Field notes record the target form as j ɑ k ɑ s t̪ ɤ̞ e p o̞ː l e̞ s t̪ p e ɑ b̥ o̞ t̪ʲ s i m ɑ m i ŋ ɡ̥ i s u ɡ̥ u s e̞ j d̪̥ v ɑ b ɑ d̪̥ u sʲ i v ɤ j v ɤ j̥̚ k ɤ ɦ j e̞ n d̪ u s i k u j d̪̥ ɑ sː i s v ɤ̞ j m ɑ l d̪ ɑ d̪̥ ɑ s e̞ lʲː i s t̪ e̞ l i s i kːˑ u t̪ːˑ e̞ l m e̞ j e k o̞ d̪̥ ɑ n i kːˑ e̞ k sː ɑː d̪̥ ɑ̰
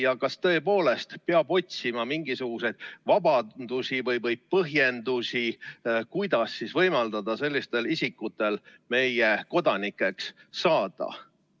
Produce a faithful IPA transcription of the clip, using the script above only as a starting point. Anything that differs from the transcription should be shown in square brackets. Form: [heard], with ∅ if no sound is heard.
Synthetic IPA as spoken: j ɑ k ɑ s t̪ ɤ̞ e p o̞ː l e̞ s t̪ p e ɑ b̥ o̞ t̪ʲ s i m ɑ m i ŋ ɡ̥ i s u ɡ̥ u s e̞ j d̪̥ v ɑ b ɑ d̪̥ u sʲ i v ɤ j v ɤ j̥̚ [p] ɤ ɦ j e̞ n d̪ u s i k u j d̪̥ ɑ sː i s v ɤ̞ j m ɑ l d̪ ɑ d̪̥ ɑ s e̞ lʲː i s t̪ e̞ l i s i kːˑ u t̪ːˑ e̞ l m e̞ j e k o̞ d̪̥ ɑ n i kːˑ e̞ k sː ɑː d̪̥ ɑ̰